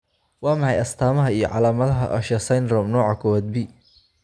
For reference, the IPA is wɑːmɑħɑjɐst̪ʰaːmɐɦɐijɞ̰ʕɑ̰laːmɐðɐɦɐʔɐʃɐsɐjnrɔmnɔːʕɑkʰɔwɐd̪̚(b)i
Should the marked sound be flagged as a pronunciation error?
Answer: no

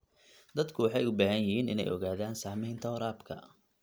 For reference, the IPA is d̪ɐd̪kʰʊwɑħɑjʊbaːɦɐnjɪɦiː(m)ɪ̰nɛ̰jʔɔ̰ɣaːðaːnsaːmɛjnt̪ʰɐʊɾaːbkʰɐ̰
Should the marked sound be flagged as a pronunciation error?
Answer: yes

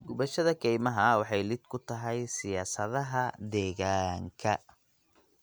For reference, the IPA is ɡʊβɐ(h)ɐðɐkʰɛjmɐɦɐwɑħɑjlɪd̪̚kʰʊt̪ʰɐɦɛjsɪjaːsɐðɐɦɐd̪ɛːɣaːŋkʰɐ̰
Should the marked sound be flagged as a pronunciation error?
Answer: yes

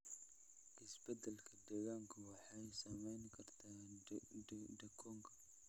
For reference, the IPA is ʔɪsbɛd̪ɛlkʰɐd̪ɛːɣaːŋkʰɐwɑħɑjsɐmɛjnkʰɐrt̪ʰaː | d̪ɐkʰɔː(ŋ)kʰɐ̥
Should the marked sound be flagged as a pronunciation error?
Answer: no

